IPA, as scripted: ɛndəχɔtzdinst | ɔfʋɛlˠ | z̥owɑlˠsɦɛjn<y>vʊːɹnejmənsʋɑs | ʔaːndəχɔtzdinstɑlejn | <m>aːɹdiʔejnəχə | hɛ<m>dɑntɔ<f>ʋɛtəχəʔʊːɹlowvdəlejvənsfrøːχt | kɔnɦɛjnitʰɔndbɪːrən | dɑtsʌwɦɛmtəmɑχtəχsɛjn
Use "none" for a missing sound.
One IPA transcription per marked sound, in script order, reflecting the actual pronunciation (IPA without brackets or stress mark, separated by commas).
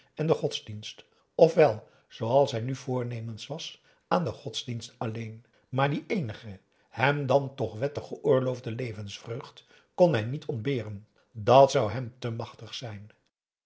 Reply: y, m, m, χ